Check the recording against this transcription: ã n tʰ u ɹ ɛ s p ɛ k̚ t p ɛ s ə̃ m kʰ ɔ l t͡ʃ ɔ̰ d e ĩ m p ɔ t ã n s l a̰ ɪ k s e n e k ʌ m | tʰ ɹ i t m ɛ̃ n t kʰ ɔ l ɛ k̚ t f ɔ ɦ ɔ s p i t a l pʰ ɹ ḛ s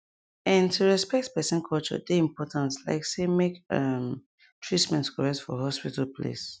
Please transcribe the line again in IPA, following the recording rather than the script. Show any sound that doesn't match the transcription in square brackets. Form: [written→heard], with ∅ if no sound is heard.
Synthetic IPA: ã n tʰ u ɹ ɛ s p ɛ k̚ t p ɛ s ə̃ [m→n] kʰ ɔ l t͡ʃ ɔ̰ d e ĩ m p ɔ t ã n s l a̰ ɪ k s e [n→m] e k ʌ m | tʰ ɹ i t m ɛ̃ n t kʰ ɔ [l→ɹ] ɛ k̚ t f ɔ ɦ ɔ s p i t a l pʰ [ɹ→l] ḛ s